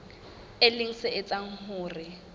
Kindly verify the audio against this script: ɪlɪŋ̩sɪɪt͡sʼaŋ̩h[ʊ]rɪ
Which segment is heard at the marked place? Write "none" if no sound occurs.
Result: ʊː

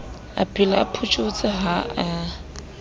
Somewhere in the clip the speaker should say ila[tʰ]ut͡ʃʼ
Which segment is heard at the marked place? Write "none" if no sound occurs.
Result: pʰ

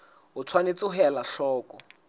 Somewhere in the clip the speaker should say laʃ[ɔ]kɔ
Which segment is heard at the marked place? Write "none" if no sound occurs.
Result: ɔː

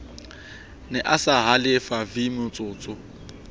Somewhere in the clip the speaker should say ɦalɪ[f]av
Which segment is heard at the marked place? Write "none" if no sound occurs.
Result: f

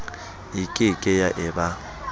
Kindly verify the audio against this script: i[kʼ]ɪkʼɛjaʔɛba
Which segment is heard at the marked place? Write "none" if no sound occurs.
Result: kʼ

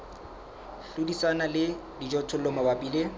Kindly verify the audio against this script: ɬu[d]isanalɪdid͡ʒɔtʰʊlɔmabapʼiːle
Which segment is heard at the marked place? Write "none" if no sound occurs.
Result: d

